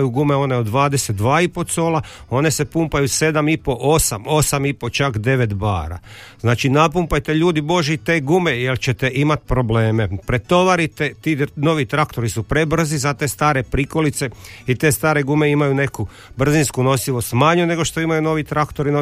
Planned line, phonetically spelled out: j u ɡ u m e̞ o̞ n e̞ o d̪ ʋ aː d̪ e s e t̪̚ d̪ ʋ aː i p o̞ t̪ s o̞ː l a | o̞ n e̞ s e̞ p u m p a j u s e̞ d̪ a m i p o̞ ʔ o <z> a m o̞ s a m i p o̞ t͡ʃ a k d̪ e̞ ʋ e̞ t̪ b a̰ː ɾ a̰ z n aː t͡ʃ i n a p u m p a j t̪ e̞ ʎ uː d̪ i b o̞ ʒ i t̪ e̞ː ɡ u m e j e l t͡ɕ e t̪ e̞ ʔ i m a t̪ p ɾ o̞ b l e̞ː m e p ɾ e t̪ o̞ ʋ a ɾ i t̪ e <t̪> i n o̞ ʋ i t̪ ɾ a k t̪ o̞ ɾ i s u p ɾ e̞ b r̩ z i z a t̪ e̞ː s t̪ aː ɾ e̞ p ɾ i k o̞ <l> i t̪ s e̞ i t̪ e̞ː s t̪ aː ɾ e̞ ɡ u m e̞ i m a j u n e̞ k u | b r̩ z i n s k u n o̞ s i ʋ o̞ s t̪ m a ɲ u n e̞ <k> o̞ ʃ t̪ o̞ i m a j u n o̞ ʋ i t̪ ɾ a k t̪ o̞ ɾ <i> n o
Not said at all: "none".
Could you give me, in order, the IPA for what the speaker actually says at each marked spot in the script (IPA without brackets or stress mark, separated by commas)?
s, t̪, l, ɡ, i